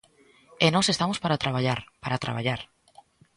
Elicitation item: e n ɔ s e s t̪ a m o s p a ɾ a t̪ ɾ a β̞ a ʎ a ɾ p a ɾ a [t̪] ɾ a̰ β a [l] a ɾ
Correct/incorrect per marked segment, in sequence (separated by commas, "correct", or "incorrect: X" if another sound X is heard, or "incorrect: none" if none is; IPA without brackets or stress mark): correct, incorrect: ʎ